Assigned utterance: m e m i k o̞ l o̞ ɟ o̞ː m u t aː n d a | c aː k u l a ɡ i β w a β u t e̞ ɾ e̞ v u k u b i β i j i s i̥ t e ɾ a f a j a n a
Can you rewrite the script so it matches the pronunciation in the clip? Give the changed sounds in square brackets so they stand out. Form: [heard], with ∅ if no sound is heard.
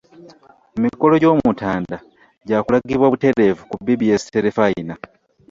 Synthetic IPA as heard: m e m i k o̞ l o̞ ɟ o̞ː m u t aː n d a | [ɟ] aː k u l a ɡ i β w a β u t e̞ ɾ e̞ v u k u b i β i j [e] s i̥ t e ɾ [e] f a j [i] n a